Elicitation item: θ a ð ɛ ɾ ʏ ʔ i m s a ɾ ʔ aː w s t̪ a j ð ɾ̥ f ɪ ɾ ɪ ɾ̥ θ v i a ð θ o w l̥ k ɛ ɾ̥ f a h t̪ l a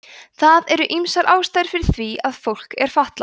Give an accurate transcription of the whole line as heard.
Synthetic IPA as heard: θ a ð ɛ ɾ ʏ ʔ i m s a ɾ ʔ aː w s t̪ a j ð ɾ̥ f ɪ ɾ ɪ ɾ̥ θ v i a ð f o w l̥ k ɛ ɾ̥ f a h t̪ l a